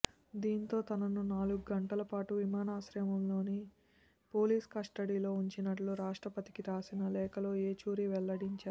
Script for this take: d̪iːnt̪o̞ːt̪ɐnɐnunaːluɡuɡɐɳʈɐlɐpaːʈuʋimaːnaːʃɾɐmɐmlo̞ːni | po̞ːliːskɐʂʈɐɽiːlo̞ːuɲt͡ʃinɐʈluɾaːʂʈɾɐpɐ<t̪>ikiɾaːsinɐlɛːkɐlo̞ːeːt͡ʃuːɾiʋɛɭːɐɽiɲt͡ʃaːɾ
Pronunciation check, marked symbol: correct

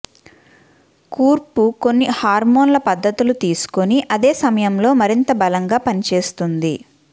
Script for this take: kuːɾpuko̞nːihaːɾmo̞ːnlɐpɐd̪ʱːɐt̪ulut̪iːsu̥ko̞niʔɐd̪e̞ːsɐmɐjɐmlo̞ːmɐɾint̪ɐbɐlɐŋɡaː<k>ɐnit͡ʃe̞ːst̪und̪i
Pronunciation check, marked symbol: incorrect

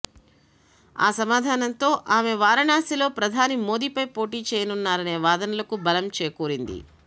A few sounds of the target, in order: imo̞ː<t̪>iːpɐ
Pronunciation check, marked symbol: incorrect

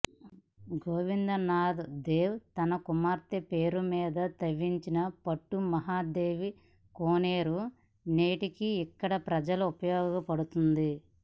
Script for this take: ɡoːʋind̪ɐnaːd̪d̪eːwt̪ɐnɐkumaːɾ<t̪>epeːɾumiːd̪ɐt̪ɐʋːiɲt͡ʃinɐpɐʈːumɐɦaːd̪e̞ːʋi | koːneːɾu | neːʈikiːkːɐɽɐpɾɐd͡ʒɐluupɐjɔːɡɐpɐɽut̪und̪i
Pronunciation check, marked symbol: correct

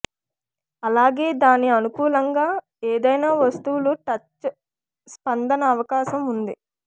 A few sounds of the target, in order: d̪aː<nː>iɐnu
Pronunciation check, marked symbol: incorrect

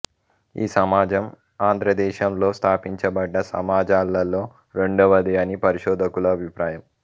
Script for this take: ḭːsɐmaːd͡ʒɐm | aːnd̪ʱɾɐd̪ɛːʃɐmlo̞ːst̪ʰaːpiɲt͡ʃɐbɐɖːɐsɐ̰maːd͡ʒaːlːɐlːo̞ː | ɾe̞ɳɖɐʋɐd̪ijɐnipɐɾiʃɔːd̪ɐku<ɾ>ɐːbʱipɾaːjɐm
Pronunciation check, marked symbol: incorrect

